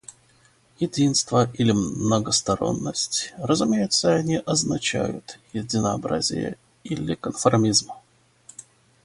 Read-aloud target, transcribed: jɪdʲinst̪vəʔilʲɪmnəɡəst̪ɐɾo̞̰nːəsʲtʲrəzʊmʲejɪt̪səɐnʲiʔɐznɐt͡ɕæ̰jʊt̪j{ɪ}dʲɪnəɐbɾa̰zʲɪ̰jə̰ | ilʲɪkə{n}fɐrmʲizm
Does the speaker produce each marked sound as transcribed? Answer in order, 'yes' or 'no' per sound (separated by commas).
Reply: yes, yes